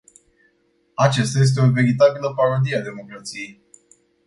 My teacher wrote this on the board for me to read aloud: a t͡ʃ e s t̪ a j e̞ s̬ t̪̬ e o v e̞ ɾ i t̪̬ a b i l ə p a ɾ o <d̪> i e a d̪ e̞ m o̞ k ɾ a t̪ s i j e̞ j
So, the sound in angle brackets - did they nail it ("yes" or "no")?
yes